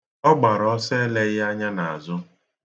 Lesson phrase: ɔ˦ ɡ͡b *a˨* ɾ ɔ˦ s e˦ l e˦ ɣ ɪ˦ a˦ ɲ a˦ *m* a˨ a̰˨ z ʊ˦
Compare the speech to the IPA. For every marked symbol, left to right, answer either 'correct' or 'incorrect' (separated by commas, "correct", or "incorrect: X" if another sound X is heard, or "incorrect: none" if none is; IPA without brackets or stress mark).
correct, incorrect: n